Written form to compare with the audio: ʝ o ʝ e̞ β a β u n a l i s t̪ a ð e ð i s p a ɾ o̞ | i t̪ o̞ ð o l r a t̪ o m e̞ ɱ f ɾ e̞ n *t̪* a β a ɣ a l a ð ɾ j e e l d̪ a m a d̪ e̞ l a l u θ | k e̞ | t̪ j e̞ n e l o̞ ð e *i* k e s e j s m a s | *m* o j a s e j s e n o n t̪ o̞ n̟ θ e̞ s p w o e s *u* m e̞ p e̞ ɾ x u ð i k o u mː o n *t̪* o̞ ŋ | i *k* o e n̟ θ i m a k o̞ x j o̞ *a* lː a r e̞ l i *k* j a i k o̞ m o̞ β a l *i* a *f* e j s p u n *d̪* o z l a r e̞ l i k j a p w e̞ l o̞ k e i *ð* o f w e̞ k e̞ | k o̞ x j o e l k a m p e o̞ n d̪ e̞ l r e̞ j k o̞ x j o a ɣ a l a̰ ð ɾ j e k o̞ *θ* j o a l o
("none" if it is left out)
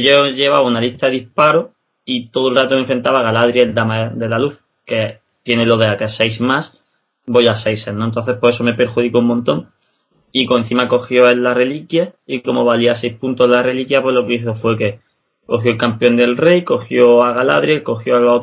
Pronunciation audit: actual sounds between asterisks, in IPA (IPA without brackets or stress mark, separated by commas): t̪, a, b, o, t̪, k, e, k, i, s, t̪, θ, x